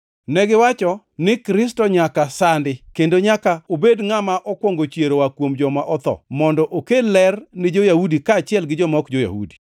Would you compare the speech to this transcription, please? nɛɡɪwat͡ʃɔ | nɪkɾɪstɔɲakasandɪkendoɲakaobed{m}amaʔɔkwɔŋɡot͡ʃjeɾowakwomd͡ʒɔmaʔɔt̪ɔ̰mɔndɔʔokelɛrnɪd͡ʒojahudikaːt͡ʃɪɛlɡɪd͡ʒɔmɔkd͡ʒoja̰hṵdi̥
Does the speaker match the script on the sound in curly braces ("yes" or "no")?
no